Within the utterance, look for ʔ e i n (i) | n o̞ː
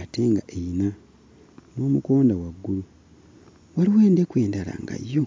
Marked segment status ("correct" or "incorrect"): incorrect